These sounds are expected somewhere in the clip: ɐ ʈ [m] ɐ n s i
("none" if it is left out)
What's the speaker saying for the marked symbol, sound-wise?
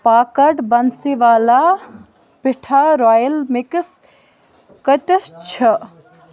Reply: b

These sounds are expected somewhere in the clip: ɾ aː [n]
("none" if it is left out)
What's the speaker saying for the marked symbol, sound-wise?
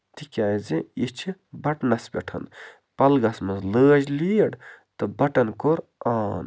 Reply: n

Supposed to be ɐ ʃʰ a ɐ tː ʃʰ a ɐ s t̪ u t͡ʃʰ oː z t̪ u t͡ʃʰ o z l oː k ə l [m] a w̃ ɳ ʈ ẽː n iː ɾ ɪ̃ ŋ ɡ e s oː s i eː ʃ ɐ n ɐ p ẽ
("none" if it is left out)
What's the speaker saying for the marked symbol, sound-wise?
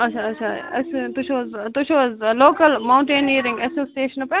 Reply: m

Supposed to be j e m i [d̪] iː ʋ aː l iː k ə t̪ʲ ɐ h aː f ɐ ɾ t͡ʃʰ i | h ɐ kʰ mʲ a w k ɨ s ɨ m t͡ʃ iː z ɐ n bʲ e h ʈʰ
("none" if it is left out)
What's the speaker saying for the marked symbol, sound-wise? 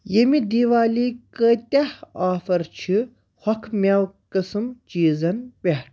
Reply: d̪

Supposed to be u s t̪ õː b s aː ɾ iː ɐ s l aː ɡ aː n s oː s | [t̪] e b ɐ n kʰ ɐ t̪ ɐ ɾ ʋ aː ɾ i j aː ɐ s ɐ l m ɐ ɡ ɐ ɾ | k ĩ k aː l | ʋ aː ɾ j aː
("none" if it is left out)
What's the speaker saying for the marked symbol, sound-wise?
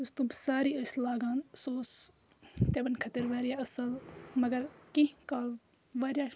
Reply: t̪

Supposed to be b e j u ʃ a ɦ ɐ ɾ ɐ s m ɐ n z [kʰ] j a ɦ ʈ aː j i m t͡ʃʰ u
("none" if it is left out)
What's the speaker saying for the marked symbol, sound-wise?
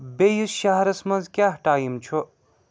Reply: k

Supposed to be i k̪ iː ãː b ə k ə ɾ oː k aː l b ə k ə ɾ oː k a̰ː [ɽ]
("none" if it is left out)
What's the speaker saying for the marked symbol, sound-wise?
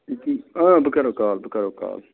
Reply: l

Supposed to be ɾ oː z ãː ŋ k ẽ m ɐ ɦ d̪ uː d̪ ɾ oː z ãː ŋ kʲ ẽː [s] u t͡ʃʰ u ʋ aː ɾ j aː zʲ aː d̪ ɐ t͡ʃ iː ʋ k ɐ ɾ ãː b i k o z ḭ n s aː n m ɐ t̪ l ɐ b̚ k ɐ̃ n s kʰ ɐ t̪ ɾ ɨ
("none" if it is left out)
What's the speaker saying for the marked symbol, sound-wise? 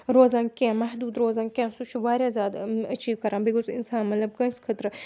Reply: s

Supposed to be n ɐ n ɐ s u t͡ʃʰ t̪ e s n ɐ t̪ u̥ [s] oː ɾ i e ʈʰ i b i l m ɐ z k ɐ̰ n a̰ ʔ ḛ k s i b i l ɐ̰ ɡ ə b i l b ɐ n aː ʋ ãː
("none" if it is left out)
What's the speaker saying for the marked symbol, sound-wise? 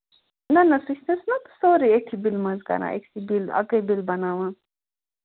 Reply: s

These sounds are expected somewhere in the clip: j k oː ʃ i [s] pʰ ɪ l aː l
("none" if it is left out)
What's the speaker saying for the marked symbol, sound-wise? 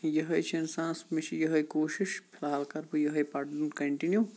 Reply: ʃ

